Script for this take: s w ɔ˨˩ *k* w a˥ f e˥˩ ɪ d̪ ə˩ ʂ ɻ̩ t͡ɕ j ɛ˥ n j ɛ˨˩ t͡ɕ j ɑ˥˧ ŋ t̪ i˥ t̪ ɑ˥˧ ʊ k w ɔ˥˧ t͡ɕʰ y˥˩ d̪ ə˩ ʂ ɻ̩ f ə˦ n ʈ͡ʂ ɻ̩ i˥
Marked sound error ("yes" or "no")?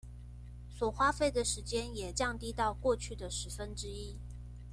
yes